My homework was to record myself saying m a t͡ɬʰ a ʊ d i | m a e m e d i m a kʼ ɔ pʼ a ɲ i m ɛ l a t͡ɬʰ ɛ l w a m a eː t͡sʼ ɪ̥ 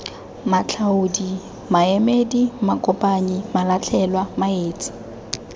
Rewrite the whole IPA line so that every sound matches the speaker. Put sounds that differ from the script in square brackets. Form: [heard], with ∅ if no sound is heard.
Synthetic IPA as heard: m a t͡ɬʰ a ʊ d i | m a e m e d i m a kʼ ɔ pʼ a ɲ i m [a] l a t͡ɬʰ ɛ l w a m a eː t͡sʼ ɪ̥